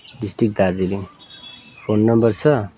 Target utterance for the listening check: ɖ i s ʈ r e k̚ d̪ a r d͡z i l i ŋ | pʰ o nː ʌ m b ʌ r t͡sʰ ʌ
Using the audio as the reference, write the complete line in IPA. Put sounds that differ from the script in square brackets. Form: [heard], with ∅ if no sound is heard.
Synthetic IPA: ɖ i s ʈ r [i] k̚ d̪ a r d͡z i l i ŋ | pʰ o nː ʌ m b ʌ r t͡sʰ ʌ